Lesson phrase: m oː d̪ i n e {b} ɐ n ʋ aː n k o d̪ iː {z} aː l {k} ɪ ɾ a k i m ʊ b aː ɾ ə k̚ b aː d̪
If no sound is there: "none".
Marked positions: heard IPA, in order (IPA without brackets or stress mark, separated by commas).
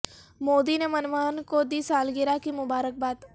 m, s, ɡ